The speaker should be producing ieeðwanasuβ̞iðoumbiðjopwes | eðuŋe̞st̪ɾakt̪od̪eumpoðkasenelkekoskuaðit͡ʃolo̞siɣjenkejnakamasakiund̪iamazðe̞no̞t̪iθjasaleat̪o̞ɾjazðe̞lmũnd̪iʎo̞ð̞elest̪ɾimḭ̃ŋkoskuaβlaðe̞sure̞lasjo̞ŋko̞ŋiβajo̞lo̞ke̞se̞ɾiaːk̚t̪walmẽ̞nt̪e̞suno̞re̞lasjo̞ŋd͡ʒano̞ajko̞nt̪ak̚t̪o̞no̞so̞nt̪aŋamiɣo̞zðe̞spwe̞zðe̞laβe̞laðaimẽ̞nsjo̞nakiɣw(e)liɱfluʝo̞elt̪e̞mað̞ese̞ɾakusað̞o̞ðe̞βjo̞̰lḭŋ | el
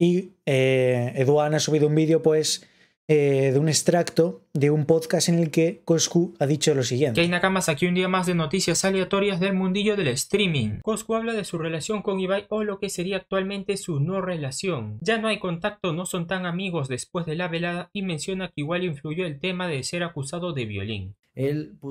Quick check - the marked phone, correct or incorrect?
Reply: incorrect